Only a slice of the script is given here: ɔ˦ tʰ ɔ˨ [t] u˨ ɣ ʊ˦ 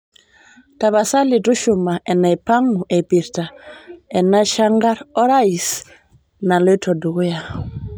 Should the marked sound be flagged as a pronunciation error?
yes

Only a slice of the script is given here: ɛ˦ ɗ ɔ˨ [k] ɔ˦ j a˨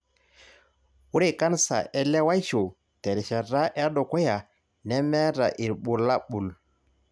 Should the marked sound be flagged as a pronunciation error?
no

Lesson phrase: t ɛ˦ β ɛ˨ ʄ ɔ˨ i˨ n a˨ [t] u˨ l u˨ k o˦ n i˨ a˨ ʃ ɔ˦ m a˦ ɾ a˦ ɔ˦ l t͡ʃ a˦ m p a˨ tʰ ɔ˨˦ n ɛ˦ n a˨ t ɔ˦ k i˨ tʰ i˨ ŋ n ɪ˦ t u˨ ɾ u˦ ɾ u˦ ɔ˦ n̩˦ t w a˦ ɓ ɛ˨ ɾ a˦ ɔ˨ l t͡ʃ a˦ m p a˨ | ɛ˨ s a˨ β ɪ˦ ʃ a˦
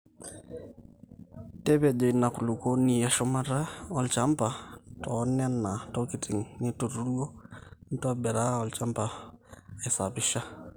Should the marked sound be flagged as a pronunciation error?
yes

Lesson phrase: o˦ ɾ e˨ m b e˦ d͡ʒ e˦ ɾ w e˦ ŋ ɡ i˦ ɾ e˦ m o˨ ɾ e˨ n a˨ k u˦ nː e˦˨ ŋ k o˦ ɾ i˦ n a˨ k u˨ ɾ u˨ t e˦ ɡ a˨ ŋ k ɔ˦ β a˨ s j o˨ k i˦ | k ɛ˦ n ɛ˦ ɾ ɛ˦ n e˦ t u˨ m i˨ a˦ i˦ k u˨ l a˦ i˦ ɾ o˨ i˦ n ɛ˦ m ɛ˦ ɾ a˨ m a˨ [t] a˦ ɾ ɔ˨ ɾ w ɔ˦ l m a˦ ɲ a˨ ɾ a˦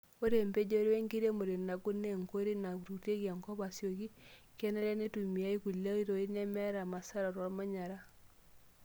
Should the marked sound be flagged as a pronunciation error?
yes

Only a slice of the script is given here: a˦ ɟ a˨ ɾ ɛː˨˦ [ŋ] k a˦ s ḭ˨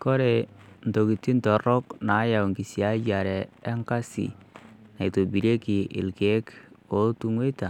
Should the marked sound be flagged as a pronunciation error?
no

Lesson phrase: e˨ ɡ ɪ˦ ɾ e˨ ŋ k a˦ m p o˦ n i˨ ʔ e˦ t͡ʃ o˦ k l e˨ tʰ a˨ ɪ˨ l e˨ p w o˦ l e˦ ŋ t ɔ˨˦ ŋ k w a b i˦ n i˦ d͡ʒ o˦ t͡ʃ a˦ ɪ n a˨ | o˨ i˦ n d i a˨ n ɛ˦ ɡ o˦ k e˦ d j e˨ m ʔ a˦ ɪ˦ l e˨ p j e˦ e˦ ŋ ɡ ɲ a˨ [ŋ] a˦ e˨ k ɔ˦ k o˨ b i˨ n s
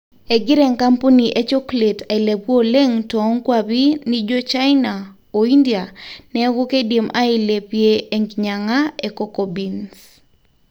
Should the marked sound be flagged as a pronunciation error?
no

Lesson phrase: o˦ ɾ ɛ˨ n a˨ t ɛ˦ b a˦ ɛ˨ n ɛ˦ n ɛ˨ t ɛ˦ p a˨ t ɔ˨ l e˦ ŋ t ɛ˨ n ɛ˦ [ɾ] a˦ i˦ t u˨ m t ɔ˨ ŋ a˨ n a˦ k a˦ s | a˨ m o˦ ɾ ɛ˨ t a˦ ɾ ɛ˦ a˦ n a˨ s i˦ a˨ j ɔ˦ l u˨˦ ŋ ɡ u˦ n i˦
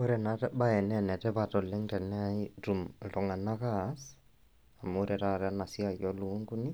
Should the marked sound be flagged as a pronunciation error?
yes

